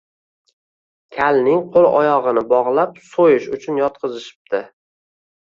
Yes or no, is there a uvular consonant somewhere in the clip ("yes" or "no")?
yes